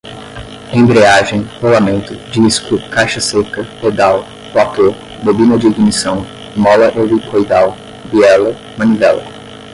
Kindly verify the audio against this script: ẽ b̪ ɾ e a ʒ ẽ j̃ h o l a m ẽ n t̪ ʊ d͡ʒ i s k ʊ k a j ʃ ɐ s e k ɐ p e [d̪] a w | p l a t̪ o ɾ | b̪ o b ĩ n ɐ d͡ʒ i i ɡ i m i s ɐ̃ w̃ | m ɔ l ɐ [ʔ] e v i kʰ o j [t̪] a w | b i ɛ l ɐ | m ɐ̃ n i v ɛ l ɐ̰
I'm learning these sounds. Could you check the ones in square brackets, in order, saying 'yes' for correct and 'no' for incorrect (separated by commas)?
yes, yes, no